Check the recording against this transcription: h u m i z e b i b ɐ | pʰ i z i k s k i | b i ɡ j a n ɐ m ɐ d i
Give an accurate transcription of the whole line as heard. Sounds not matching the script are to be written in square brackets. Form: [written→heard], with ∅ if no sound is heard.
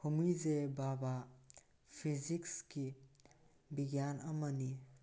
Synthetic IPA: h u m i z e b [i→a] b [ɐ→a] | pʰ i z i k s k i | b i ɡ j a n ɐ m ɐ [d→n] i